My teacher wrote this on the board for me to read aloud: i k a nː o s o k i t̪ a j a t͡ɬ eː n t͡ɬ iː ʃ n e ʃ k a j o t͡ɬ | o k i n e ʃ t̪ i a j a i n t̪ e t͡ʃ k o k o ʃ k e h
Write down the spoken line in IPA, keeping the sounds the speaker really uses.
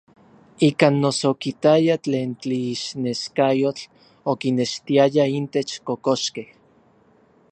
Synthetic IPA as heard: i k a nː o s o k i t̪ a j a t͡ɬ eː n t͡ɬ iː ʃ n e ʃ k a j o t͡ɬ | o k i n e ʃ t̪ i a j a i n t̪ e t͡ʃ k o k o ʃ k e h